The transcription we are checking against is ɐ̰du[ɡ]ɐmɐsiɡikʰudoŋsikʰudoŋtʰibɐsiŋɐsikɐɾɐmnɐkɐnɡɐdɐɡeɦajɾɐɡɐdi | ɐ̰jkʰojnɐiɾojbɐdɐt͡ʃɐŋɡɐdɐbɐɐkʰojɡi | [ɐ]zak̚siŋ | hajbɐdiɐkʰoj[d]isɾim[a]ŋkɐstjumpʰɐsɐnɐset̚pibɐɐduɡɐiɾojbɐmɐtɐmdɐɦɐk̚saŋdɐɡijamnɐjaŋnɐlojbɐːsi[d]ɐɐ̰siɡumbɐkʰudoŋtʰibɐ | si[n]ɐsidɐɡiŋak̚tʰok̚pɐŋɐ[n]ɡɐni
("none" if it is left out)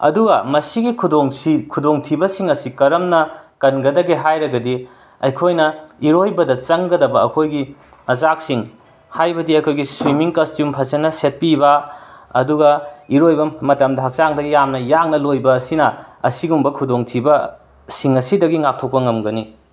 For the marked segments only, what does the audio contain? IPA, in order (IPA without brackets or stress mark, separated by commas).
ɡ, ɐ, ɡ, i, n, ŋ, m